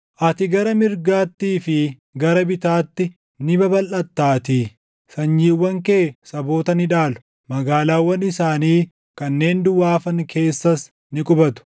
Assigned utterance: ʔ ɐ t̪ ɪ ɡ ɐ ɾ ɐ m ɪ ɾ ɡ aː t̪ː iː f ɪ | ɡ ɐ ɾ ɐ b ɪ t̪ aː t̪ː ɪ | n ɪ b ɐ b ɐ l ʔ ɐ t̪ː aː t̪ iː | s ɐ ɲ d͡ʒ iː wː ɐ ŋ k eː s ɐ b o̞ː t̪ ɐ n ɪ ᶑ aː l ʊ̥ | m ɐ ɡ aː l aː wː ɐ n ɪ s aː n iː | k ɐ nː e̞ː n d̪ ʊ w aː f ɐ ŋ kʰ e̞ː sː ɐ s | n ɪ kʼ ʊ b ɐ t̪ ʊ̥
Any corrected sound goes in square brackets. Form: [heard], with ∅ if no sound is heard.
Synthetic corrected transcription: ʔ ɐ t̪ ɪ ɡ ɐ ɾ ɐ m ɪ ɾ ɡ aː t̪ː iː f ɪ | ɡ ɐ ɾ ɐ b ɪ t̪ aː t̪ː ɪ | n ɪ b ɐ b ɐ l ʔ ɐ t̪ː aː t̪ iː | s ɐ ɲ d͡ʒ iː wː ɐ ŋ k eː s ɐ b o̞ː t̪ ɐ n ɪ ᶑ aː l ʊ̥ | m ɐ ɡ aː l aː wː ɐ n ɪ s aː n iː | k ɐ nː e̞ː n d̪ ʊ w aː f ɐ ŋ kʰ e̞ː sː ɐ s | n ɪ kʼ ʊ b ɐ t̪ ʊ̥